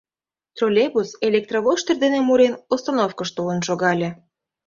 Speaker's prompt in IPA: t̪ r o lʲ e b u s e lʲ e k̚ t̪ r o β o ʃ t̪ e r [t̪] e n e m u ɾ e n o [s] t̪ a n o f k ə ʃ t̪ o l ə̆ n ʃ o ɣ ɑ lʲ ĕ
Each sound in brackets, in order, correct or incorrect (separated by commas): incorrect, correct